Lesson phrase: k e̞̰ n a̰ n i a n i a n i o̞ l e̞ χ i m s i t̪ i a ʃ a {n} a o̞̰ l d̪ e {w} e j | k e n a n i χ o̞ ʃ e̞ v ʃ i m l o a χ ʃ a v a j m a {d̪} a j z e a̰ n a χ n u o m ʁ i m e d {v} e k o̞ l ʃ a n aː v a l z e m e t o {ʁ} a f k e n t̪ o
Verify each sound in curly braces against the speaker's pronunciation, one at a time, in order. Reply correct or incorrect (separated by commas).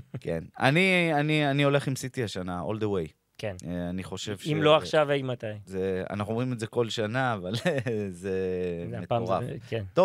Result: correct, correct, incorrect, incorrect, correct